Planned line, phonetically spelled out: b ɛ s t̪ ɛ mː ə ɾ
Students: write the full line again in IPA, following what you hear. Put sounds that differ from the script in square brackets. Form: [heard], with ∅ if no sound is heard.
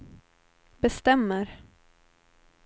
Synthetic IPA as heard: b ɛ s t̪ ɛ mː ə ɾ